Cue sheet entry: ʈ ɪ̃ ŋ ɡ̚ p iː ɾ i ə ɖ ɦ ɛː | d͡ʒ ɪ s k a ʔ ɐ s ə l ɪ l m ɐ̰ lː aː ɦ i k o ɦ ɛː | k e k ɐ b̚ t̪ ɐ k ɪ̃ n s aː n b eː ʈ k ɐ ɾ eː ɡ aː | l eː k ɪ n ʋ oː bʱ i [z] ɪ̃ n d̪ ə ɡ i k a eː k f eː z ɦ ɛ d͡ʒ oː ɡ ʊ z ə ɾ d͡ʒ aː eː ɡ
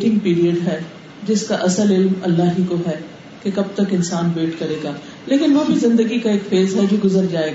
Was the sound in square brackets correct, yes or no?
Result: yes